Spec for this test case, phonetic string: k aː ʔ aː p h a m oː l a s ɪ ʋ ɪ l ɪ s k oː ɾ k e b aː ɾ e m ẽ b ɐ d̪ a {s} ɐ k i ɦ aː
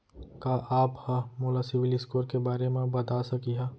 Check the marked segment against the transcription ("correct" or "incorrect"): correct